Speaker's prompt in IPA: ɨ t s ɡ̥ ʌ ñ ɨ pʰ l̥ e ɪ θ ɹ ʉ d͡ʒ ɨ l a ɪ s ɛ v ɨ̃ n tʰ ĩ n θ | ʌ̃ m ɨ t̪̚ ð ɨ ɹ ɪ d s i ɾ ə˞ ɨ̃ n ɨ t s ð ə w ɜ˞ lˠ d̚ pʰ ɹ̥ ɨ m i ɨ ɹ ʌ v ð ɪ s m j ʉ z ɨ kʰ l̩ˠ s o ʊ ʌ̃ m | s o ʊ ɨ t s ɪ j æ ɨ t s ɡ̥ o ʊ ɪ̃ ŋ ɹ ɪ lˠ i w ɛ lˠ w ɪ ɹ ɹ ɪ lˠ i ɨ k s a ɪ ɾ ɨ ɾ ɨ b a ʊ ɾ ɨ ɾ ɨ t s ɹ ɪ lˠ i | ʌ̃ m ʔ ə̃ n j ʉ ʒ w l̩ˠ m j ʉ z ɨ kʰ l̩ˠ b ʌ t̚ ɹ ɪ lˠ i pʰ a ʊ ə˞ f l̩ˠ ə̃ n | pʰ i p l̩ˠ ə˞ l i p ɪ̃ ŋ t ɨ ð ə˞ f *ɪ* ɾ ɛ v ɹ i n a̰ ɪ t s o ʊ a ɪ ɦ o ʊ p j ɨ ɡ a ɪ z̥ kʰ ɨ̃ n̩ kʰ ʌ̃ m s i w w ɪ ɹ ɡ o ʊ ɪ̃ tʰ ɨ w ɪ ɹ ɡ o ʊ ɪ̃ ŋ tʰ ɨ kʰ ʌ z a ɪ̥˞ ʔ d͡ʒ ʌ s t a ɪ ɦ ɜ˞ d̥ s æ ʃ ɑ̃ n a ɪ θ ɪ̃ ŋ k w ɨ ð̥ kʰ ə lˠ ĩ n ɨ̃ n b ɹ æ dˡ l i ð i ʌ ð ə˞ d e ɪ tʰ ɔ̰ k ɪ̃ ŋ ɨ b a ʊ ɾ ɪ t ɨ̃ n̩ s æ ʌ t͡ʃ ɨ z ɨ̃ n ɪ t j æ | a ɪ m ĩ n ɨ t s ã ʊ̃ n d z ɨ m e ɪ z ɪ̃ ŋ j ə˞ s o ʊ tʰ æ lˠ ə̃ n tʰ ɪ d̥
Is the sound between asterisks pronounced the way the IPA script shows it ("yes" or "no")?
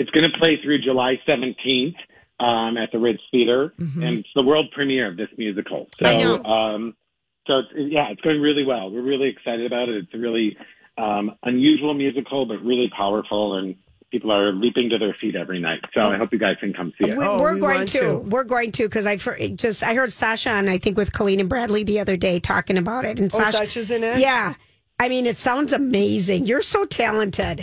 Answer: no